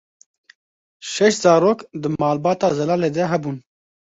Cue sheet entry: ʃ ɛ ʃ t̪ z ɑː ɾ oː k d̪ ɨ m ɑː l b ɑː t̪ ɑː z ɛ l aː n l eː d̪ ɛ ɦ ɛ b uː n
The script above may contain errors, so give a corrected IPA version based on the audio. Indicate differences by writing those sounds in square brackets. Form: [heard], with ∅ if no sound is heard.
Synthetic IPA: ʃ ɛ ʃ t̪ z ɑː ɾ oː k d̪ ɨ m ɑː l b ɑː t̪ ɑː z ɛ l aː [∅] l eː d̪ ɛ ɦ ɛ b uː n